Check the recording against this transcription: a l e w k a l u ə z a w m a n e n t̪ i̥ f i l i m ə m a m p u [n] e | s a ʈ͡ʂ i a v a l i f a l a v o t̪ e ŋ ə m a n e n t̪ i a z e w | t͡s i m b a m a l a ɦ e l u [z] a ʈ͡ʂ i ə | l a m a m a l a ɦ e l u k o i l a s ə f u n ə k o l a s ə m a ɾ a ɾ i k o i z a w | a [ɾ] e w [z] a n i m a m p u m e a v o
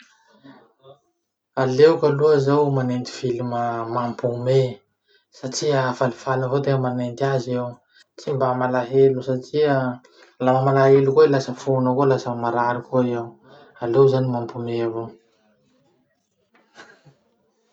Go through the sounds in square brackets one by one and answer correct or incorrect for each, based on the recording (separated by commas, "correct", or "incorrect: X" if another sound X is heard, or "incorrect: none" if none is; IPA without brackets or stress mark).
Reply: incorrect: m, incorrect: s, incorrect: l, correct